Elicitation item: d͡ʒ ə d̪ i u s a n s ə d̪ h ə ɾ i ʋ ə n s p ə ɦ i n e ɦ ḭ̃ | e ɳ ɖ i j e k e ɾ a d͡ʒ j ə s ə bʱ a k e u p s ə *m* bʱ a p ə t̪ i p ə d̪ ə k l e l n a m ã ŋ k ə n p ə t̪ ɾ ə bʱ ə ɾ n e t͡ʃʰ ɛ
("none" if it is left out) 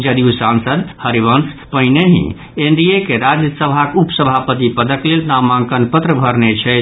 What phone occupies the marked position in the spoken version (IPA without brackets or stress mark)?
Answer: none